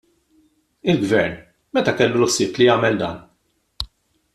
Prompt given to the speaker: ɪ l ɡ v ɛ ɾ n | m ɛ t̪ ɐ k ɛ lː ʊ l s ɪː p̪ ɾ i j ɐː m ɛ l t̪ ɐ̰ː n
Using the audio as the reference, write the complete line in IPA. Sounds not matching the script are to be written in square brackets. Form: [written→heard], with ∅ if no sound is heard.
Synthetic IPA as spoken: ɪ l ɡ v ɛ ɾ n | m ɛ t̪ ɐ k ɛ lː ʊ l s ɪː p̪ [ɾ→l] i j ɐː m ɛ l [t̪→d̪] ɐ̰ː n